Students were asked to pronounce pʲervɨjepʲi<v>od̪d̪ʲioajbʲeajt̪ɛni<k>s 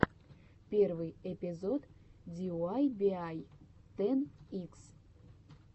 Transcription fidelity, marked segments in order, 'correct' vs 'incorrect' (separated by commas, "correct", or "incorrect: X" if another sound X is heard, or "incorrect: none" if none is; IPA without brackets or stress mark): incorrect: z, correct